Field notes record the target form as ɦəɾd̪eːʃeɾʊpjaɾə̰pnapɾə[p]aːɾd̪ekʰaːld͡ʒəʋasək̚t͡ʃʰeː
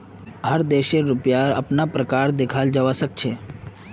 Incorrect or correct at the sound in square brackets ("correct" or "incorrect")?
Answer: incorrect